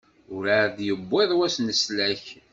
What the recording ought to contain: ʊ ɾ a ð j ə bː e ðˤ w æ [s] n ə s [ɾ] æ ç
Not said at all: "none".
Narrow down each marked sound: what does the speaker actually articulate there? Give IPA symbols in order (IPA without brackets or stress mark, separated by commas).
s, l